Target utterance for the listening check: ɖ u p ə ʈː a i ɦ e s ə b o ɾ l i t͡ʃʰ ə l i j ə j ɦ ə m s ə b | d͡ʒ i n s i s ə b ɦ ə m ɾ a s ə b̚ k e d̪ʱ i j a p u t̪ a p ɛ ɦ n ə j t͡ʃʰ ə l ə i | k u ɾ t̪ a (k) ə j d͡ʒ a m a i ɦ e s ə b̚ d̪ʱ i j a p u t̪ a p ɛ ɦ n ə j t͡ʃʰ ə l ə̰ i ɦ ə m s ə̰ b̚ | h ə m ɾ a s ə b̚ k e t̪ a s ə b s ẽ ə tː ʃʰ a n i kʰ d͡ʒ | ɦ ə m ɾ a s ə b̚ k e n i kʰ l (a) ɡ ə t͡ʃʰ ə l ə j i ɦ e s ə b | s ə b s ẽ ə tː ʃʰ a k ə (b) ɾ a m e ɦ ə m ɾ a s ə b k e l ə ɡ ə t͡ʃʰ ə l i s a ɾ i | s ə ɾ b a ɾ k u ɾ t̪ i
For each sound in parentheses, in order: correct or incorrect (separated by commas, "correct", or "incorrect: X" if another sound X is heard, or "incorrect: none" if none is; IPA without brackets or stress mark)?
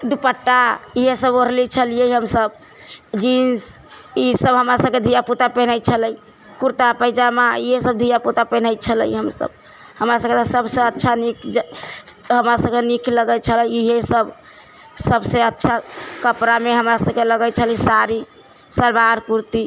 incorrect: p, incorrect: ə, incorrect: p